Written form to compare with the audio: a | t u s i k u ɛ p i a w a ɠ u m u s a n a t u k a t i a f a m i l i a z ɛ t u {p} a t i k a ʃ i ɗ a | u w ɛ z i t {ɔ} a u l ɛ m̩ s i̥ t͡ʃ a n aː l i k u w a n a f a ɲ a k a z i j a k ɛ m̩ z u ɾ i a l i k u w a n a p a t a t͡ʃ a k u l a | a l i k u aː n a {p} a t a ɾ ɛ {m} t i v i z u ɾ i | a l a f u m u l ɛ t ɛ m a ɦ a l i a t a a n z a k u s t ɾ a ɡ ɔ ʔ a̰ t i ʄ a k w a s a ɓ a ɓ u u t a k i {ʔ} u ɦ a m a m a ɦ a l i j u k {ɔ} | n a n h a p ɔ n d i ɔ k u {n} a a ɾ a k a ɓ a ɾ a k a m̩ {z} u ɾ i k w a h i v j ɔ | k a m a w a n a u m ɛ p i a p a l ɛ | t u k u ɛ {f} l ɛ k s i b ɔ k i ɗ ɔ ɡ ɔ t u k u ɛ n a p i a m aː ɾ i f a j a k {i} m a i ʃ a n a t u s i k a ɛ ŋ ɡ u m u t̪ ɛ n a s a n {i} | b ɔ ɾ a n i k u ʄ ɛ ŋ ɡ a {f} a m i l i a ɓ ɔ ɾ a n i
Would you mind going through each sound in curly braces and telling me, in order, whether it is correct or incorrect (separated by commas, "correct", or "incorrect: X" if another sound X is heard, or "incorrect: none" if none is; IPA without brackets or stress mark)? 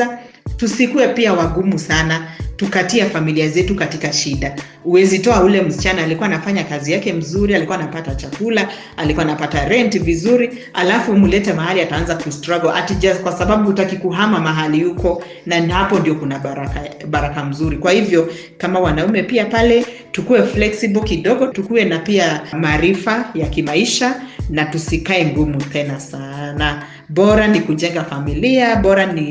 incorrect: k, correct, correct, incorrect: n, incorrect: k, correct, correct, correct, correct, correct, incorrect: a, correct